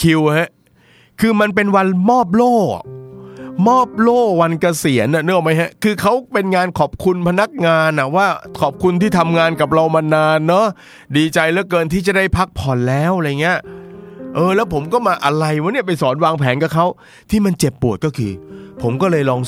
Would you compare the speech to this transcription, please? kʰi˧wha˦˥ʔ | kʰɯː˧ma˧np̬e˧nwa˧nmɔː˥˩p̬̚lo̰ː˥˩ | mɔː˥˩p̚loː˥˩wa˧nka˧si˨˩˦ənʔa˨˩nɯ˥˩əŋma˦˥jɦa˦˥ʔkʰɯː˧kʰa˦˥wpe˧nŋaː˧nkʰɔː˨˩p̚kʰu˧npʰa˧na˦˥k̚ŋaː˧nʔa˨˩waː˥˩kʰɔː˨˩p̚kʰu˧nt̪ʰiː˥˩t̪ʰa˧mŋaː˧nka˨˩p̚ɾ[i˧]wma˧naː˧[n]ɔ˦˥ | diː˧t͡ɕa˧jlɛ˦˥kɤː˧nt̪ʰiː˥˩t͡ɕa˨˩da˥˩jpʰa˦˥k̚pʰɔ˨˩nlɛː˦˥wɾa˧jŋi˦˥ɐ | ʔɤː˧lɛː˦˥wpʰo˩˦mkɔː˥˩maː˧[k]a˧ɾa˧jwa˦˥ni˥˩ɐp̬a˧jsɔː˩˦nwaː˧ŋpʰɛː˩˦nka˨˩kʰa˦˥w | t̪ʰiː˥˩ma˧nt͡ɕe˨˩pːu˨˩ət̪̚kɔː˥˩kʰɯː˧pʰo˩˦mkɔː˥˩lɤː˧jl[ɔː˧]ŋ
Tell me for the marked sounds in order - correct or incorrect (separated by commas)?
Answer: incorrect, incorrect, incorrect, correct